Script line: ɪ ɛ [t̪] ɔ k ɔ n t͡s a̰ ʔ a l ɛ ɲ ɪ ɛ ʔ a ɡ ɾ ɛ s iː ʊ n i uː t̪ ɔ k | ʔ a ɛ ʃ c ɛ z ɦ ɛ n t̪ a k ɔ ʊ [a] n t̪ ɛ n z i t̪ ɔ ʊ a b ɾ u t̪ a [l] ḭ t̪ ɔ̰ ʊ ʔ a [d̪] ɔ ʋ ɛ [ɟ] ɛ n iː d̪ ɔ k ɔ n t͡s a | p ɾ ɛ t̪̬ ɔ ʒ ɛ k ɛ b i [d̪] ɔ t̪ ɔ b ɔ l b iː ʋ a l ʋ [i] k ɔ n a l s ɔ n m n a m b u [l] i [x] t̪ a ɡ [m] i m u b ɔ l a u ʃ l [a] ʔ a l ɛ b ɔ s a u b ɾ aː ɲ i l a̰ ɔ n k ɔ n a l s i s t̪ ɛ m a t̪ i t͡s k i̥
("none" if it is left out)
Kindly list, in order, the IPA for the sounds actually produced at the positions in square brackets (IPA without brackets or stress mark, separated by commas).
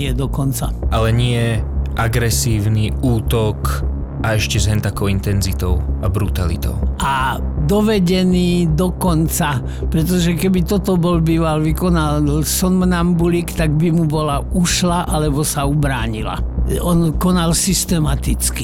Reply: d̪, i, l, d̪, ɟ, t̪, i, l, k, b, a